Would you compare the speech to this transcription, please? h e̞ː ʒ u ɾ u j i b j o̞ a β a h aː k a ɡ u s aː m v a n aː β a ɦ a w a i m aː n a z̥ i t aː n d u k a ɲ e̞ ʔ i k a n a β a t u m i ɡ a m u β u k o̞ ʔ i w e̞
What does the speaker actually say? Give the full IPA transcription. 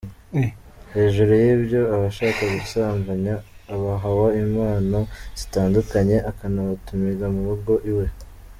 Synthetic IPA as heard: h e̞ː ʒ u ɾ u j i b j o̞ a β a ʃ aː k a ɡ u s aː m v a ɲ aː β a ɦ a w a i m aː n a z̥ i t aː n d u k a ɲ e̞ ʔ a k a n a β a t u m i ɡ a m u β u ɡ o̞ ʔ i w e̞